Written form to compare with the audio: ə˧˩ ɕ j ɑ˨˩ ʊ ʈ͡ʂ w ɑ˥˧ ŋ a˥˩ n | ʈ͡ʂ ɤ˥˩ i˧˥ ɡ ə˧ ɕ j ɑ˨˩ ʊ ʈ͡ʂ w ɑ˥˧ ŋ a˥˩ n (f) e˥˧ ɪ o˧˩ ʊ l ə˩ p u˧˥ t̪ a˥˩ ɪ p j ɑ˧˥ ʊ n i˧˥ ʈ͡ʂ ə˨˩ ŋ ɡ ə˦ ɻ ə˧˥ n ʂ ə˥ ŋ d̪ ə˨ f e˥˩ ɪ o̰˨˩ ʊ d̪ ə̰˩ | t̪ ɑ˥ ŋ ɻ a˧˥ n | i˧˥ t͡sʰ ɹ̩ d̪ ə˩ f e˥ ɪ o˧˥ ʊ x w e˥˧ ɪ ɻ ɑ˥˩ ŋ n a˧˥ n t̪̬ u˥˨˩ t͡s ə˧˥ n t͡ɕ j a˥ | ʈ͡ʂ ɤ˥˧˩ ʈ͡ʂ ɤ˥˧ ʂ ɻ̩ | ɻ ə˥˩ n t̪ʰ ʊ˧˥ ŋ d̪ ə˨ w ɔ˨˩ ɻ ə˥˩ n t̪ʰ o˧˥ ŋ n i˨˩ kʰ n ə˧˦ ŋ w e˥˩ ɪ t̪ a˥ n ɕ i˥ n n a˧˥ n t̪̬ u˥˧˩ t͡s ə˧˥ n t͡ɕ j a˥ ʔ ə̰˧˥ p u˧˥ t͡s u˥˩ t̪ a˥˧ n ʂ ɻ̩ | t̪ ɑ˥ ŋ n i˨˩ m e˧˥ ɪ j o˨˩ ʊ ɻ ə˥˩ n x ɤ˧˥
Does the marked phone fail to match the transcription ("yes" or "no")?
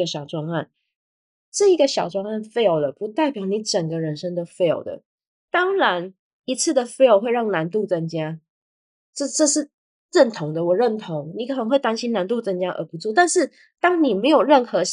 no